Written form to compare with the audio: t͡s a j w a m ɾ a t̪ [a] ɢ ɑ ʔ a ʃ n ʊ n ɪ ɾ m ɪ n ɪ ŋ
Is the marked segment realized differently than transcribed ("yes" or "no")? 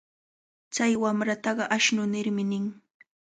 yes